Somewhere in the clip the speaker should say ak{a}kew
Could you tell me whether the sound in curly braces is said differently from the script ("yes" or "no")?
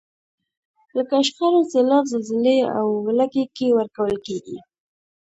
yes